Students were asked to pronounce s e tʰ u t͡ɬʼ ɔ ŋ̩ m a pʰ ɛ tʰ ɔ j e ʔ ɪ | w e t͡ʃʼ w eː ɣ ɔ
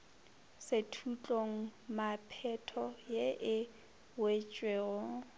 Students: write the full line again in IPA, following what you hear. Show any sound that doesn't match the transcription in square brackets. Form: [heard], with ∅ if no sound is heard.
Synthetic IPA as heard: s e tʰ u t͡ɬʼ [o] ŋ̩ m a pʰ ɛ tʰ ɔ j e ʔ ɪ | w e t͡ʃʼ w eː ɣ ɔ